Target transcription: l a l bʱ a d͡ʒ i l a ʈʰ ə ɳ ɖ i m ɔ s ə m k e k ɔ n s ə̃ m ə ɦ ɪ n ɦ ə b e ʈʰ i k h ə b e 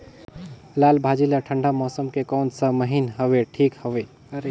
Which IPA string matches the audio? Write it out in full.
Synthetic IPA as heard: l a l bʱ a d͡ʒ i l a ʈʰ ə ɳ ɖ a m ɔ s ə m k e k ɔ n s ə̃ m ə ɦ i n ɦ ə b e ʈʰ i k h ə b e